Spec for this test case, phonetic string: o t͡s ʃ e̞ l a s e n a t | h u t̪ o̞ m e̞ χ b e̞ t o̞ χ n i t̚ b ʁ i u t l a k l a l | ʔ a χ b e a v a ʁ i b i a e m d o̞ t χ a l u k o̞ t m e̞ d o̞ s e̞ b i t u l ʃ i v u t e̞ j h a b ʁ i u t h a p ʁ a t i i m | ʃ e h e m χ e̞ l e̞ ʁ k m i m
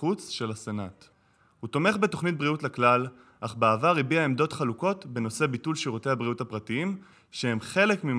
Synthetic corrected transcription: u t͡s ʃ e̞ l a s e n a t | h u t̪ o̞ m e̞ χ b e̞ t o̞ χ n i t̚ b ʁ i u t l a k l a l | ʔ a χ b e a v a ʁ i b i a e m d o̞ t χ a l u k o̞ t b e̞ n o̞ s e̞ b i t u l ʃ i ʁ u t e̞ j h a b ʁ i u t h a p ʁ a t i i m | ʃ e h e m χ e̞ l e̞ k m i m